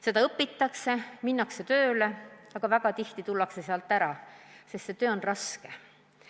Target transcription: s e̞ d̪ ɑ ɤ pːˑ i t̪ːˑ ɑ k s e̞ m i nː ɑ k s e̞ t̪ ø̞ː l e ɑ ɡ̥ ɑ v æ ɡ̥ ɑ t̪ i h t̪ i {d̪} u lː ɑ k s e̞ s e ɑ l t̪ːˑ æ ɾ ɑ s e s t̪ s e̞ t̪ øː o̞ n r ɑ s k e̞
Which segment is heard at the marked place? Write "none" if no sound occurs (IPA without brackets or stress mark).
t̪